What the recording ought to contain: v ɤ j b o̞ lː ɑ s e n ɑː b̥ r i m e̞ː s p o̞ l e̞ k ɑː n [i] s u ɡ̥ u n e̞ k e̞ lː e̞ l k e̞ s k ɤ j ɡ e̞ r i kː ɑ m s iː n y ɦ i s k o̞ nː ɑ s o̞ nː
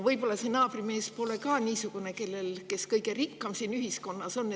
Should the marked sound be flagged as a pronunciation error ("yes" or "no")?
yes